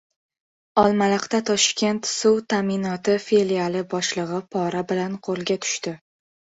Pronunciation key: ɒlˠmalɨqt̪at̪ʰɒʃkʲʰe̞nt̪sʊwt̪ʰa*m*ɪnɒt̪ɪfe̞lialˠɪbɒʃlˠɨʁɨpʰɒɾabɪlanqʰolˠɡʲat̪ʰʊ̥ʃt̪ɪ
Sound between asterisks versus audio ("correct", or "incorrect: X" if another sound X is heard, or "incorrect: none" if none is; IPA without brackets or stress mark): correct